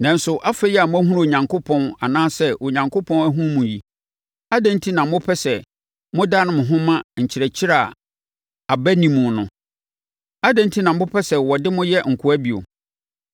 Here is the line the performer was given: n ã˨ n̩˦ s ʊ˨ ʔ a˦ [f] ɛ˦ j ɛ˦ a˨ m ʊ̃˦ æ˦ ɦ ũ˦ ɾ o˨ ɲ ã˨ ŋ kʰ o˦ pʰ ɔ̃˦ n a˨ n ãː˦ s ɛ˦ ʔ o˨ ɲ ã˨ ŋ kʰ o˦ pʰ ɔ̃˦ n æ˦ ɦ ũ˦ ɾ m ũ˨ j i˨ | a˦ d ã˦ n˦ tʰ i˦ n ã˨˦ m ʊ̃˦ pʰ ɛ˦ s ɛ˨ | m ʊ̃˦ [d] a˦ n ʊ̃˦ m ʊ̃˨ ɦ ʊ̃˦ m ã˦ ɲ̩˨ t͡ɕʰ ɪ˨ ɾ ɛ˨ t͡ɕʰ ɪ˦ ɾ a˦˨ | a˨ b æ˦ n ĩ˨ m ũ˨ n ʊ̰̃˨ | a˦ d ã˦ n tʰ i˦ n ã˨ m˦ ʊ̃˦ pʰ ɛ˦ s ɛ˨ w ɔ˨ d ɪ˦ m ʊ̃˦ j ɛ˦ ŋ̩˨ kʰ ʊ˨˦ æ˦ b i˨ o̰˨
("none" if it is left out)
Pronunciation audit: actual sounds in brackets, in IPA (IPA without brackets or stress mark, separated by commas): f, d